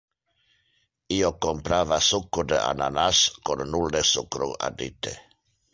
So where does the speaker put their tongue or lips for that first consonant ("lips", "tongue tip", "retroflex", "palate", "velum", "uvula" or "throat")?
velum